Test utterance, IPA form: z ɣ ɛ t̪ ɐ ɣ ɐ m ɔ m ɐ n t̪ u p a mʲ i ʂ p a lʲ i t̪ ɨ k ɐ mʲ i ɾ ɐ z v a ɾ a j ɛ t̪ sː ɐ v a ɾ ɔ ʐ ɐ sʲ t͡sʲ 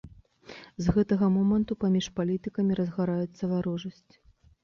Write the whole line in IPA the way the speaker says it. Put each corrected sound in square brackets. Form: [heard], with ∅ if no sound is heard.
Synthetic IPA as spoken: z ɣ ɛ t̪ ɐ ɣ ɐ m ɔ m ɐ n t̪ u p a mʲ i ʂ p a lʲ i t̪ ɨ k ɐ mʲ i ɾ ɐ z [ɣ] a ɾ a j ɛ t̪ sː ɐ v a ɾ ɔ ʐ ɐ sʲ t͡sʲ